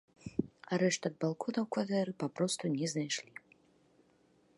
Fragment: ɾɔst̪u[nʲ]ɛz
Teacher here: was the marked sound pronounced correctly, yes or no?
yes